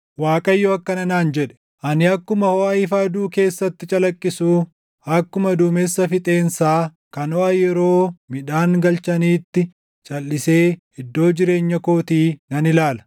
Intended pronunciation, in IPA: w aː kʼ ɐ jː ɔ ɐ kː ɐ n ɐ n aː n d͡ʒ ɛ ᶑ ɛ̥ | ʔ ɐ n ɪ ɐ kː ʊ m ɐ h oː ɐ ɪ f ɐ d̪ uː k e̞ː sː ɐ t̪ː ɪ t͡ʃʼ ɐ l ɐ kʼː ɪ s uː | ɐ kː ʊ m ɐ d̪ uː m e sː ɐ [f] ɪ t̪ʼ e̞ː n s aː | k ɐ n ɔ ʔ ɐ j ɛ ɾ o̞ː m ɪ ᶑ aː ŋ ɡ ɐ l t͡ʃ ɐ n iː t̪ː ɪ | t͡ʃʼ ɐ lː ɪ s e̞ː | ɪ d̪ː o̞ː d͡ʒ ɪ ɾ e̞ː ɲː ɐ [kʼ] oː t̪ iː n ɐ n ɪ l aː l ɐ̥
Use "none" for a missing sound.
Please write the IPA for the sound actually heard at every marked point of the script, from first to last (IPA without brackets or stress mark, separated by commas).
f, k